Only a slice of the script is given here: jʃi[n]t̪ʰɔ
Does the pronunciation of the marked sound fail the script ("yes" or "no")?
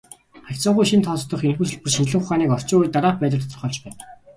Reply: no